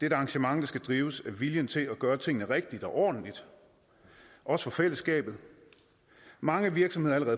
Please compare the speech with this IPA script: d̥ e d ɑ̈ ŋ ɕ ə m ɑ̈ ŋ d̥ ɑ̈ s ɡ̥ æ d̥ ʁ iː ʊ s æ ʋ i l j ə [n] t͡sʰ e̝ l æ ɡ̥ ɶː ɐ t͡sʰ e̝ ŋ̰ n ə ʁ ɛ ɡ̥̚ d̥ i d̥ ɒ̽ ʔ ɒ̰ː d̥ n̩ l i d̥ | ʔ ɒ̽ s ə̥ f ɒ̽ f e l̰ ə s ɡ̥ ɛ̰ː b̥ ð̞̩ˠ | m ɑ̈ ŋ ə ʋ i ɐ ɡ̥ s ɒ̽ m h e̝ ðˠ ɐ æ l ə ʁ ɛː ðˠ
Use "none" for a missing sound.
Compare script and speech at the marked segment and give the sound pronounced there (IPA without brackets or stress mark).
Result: n